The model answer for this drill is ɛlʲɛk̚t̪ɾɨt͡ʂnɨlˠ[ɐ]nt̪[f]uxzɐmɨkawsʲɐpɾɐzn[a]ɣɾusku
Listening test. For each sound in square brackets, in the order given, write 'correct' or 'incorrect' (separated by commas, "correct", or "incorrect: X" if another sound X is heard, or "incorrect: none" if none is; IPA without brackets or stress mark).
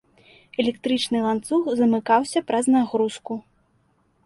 incorrect: a, incorrect: s, correct